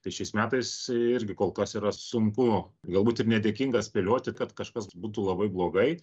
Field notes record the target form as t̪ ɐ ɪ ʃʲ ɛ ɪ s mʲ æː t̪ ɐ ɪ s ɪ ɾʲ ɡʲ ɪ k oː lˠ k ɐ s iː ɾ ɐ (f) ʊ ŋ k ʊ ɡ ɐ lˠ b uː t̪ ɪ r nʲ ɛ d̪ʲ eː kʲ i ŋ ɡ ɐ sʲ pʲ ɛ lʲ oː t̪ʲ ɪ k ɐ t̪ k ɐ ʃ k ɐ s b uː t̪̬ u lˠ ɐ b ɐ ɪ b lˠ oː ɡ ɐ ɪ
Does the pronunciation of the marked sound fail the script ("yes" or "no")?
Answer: yes